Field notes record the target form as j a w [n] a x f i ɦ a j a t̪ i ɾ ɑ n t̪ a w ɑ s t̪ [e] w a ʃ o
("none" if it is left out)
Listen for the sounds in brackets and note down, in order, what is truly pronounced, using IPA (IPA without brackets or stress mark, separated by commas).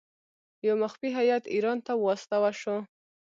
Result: m, a